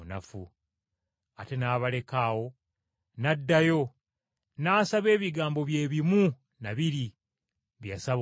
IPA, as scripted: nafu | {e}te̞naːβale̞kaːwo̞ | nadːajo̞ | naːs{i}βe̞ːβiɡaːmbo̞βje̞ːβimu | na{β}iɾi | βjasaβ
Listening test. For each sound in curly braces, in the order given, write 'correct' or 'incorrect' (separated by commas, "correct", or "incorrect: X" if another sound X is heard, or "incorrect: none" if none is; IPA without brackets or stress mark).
incorrect: a, incorrect: a, correct